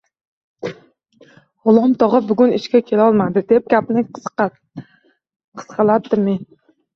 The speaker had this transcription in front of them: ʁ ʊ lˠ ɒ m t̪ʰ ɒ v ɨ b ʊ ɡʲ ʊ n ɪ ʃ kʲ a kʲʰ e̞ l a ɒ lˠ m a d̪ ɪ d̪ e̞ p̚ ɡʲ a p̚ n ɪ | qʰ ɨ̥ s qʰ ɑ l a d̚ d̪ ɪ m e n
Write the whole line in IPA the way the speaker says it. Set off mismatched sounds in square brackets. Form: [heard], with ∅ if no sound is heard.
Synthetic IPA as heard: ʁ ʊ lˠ ɒ m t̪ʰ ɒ [ʁ] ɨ b ʊ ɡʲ ʊ n ɪ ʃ kʲ a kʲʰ e̞ l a ɒ lˠ m a d̪ ɪ d̪ e̞ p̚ ɡʲ a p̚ n ɪ | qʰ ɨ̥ s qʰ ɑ l a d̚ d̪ ɪ m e n